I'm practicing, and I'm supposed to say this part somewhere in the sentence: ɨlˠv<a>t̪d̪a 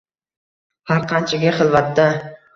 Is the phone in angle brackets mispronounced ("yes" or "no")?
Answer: no